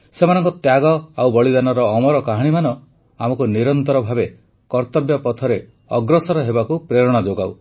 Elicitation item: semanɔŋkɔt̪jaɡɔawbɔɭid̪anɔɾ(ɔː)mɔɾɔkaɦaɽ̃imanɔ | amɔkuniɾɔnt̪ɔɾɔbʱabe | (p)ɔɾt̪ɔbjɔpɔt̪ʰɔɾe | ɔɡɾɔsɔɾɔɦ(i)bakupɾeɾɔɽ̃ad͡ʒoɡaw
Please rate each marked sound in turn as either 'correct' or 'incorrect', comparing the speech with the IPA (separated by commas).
correct, incorrect, incorrect